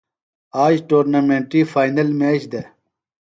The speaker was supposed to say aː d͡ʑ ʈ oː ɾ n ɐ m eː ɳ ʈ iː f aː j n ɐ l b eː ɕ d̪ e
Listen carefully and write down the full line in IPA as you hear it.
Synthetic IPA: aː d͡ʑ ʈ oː ɾ n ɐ m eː ɳ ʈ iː f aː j n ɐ l m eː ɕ d̪ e